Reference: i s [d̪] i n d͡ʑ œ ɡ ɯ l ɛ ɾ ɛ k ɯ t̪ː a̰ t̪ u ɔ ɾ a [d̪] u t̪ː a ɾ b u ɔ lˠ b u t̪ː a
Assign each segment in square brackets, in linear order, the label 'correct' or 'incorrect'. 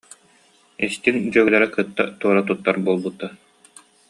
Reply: incorrect: t̪, incorrect: t̪

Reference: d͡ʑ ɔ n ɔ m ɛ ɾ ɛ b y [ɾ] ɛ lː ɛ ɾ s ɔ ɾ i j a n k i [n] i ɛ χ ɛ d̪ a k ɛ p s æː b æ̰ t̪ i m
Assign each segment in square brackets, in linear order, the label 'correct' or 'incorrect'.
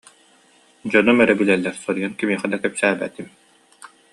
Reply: incorrect: l, incorrect: m

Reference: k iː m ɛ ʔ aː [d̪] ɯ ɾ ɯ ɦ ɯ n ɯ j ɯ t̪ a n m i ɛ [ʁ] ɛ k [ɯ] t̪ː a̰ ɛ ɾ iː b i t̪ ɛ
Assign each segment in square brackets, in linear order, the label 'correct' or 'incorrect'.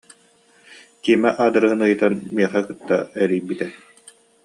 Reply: correct, incorrect: χ, correct

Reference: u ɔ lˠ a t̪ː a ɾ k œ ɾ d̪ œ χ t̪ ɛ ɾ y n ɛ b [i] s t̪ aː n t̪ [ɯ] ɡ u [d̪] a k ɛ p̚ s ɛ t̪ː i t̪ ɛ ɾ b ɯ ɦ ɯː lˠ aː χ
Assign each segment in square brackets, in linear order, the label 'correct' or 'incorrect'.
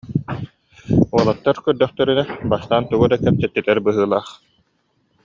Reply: incorrect: a, incorrect: u, correct

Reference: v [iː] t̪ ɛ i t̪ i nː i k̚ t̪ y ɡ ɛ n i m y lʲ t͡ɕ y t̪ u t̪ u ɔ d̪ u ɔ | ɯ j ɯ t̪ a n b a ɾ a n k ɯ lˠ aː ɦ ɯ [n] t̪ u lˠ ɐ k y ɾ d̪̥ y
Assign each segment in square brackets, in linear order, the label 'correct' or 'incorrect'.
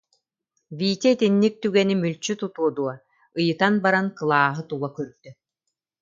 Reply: correct, incorrect: none

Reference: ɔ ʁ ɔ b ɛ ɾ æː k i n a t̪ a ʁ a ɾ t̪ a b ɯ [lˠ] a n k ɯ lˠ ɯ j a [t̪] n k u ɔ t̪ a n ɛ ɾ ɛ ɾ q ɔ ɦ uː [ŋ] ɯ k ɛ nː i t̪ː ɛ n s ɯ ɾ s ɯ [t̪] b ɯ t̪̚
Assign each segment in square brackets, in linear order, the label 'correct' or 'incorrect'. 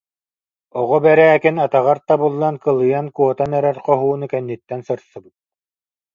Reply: incorrect: lˠː, incorrect: none, incorrect: n, incorrect: none

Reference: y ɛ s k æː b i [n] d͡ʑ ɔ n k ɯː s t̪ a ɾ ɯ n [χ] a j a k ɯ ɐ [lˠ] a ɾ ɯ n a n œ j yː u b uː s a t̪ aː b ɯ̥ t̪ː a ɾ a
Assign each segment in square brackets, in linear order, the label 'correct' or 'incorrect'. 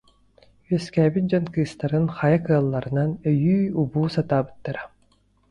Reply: correct, correct, incorrect: lˠː

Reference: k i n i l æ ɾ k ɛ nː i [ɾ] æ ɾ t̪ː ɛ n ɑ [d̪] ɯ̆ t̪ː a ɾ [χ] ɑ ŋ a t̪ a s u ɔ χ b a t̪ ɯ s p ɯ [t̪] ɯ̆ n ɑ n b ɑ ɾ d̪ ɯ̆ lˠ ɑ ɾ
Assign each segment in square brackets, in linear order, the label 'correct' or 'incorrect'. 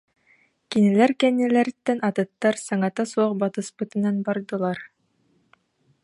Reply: incorrect: l, incorrect: t̪, incorrect: s, correct

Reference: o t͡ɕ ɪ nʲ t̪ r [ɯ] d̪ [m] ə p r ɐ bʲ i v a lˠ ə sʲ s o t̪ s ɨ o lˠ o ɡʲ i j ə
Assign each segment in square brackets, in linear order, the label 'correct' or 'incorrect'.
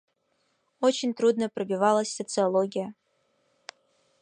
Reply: incorrect: u, incorrect: n

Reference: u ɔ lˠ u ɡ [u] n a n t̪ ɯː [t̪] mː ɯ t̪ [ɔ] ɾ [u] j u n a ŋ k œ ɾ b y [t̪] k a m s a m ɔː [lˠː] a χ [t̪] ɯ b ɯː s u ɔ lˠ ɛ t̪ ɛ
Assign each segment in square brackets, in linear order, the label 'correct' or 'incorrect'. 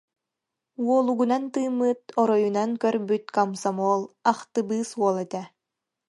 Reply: correct, incorrect: none, correct, incorrect: ɔ, correct, incorrect: lˠ, correct

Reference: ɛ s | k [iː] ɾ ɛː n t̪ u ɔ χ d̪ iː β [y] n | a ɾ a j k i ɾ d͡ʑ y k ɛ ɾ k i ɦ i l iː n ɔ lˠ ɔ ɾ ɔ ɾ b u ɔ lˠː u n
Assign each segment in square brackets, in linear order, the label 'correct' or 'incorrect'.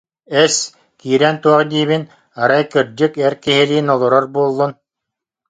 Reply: correct, incorrect: i

